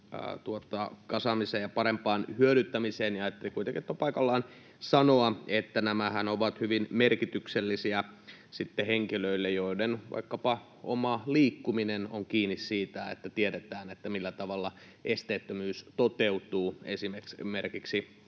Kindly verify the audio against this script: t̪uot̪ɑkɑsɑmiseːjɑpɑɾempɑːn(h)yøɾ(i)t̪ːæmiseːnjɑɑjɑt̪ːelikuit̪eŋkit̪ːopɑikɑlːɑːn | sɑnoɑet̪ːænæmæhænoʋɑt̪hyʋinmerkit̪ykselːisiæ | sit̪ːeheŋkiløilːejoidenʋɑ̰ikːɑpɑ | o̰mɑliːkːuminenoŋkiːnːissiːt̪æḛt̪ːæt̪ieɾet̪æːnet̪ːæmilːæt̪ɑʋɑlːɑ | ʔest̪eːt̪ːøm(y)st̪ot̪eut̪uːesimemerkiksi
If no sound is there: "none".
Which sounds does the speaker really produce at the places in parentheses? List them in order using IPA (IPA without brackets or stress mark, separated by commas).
h, y, yː